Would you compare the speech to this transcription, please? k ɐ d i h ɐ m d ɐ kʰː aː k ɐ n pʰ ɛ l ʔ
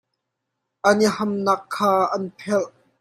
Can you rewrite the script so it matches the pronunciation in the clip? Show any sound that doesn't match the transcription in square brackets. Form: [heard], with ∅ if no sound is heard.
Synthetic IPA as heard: [ʔ] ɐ [n] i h ɐ m [n] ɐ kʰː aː [ʔ] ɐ n pʰ ɛ l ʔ